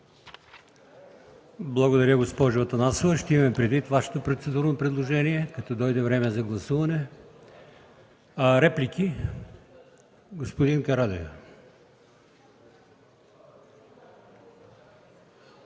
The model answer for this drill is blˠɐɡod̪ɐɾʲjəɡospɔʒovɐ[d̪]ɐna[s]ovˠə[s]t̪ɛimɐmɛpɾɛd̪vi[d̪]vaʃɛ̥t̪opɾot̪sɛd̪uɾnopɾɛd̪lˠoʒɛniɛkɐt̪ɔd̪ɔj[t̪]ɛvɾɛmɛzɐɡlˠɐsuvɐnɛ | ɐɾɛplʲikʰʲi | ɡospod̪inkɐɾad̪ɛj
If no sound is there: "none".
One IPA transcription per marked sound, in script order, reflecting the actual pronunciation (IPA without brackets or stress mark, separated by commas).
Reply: t̪, s, ʃ, t̪, d̪